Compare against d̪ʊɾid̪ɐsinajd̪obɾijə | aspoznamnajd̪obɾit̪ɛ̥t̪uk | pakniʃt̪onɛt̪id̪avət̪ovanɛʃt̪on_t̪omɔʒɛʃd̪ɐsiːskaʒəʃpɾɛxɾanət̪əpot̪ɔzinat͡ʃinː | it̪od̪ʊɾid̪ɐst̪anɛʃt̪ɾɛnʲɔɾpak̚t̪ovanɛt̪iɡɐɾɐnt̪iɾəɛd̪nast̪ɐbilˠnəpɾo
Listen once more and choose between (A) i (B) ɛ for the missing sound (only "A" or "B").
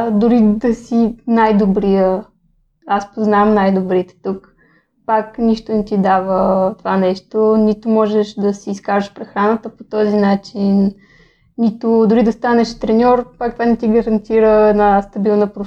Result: A